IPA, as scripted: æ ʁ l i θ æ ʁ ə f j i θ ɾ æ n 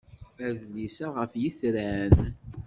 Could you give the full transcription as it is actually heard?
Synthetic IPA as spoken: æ ð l i s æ ʁ ə f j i θ ɾ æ n